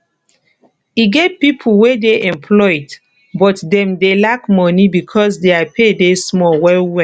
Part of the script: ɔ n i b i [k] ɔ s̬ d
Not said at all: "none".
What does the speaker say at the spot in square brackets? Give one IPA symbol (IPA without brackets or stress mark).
kʰ